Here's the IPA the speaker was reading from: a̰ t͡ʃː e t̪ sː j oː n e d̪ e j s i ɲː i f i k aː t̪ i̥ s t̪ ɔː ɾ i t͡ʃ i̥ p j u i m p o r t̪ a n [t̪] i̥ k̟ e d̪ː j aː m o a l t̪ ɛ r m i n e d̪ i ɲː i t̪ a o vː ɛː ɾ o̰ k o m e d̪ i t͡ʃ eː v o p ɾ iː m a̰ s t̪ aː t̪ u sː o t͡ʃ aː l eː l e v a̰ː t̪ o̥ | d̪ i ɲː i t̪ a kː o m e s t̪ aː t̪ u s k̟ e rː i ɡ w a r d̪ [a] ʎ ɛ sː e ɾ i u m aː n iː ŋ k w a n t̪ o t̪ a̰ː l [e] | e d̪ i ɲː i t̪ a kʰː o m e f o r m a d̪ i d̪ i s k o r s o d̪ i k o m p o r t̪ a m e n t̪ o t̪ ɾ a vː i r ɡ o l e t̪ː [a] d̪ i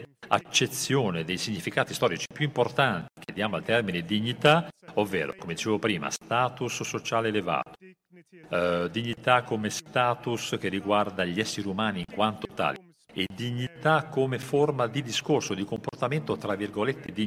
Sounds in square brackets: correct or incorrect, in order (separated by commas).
correct, correct, incorrect, incorrect